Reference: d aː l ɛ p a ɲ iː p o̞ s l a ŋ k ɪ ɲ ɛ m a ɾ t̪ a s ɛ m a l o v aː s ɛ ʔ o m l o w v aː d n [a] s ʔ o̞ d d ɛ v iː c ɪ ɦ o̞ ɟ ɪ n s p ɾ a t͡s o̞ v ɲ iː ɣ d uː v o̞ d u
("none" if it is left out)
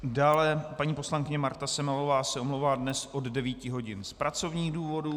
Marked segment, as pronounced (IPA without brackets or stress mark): ɛ